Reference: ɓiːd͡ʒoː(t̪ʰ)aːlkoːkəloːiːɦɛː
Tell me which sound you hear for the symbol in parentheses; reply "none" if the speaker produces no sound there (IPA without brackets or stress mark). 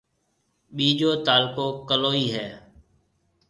t̪